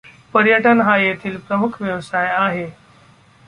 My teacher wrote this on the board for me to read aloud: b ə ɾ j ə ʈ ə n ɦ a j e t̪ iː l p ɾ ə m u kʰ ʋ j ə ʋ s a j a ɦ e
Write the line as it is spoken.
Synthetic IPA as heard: p ə ɾ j ə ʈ ə n ɦ a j e t̪ʰ iː l p ɾ ə m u kʰ ʋ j ə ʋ s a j a ɦ e